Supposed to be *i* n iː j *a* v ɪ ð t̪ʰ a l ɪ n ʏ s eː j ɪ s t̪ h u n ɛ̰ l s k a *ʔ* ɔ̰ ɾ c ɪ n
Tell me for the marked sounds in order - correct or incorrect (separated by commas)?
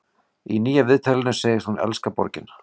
correct, correct, incorrect